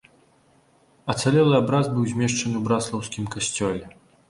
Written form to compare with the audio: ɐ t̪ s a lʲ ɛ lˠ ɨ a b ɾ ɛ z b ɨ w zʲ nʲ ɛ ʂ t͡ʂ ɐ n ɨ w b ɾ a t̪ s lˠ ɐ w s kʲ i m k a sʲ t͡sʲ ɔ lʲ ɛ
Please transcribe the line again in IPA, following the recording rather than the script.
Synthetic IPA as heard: ɐ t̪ s a lʲ ɛ lˠ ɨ a b ɾ a z b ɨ w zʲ mʲ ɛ ʂ t͡ʂ ɐ n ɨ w b ɾ a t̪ s lˠ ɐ w s kʲ i m k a sʲ t͡sʲ ɔ lʲ ɛ